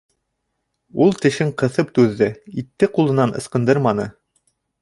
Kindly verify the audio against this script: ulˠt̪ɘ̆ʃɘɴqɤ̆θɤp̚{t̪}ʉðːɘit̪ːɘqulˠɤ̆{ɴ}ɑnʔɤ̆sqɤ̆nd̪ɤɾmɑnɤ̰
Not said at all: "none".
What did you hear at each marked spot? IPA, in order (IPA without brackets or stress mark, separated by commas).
t̪, n